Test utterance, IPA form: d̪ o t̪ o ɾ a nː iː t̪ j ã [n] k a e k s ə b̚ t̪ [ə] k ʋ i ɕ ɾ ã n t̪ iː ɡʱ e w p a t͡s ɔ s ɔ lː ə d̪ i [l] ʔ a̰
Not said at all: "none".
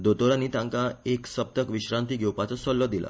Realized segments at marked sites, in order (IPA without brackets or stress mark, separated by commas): ŋ, ə, l